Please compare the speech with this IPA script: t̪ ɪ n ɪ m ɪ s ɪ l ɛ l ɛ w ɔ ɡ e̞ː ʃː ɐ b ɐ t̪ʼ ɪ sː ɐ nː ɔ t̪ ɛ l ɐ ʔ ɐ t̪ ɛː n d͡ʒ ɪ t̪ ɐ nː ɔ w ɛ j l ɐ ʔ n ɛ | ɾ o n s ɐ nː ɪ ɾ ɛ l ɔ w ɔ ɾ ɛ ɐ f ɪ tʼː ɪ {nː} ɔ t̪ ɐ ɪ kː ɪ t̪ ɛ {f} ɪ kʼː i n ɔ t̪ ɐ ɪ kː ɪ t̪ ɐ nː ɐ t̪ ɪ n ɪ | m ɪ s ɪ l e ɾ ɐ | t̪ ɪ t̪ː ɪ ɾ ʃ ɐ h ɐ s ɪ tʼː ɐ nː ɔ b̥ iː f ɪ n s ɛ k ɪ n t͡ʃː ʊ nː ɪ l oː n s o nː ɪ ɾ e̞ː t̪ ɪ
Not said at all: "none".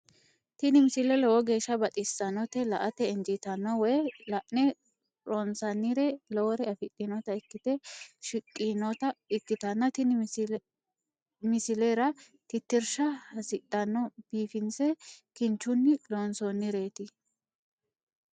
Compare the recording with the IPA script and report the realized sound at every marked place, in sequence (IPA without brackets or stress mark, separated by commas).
n, ʃ